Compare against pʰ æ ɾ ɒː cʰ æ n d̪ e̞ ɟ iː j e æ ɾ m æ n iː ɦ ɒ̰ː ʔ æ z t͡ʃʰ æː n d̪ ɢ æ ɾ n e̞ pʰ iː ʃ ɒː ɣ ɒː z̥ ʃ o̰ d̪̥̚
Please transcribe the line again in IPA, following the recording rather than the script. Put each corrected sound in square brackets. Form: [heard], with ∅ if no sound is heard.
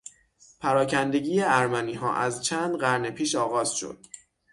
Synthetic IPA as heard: pʰ æ ɾ ɒː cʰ æ n d̪ e̞ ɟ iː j e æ ɾ m æ n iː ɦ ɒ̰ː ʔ æ z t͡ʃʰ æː n d̪ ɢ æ ɾ n e̞ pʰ iː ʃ ɒː ɣ ɒː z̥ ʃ o̰ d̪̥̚